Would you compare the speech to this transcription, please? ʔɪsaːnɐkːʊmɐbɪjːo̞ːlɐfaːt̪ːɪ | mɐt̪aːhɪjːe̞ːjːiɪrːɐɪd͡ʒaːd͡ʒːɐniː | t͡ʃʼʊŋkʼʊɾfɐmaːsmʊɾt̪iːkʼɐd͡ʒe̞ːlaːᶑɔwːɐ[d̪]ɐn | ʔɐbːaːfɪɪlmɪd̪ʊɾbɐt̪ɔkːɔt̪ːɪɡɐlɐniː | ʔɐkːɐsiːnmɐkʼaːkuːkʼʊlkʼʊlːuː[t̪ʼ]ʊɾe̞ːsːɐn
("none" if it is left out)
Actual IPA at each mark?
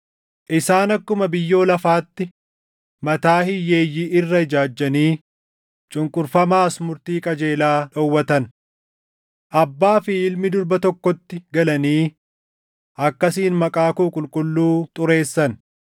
t̪, t̪ʼ

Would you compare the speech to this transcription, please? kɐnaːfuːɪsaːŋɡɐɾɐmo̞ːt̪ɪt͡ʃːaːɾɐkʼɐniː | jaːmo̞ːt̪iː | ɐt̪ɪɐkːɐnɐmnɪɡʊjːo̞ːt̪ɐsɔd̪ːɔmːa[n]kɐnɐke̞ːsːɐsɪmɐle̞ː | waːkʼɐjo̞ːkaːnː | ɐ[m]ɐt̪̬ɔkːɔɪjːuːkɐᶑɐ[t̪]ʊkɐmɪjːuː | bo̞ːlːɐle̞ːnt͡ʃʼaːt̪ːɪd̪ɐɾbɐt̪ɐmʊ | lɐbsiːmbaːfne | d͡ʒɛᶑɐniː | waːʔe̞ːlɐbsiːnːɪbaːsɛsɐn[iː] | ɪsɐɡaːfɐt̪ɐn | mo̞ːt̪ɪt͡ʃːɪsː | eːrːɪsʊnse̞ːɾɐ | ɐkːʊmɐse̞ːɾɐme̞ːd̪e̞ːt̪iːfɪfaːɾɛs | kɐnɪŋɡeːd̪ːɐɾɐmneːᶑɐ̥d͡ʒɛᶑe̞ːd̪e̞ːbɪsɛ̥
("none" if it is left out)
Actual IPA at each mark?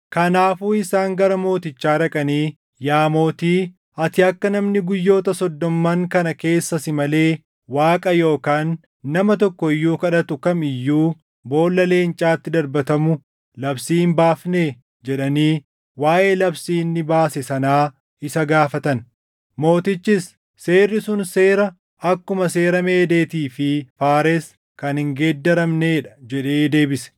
ŋ, m, t̪, aː

